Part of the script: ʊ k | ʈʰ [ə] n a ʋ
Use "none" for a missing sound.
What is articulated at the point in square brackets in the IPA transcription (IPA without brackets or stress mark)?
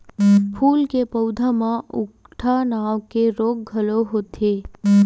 a